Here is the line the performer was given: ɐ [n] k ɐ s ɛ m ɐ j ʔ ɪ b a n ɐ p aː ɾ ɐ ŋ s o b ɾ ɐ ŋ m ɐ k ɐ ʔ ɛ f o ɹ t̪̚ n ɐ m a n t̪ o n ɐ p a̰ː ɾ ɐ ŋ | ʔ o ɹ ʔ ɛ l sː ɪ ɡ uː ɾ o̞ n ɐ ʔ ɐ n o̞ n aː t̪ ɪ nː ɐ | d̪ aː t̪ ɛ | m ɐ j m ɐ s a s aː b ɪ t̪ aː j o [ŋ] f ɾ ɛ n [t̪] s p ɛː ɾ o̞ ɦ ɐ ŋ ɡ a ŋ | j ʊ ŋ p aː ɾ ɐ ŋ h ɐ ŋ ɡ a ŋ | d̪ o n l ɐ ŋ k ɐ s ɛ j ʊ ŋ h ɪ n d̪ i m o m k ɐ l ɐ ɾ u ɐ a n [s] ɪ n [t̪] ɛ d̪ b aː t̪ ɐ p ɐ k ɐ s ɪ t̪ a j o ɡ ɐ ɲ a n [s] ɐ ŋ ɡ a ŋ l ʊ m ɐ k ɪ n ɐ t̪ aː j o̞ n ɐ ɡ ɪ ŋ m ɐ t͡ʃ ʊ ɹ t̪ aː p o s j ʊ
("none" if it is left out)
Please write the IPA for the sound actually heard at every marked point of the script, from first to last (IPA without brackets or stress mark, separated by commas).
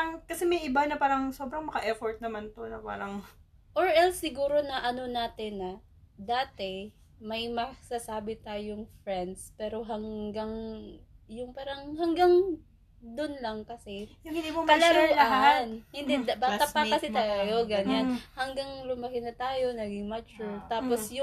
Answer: ŋ, ŋ, d̪, h, d̪, h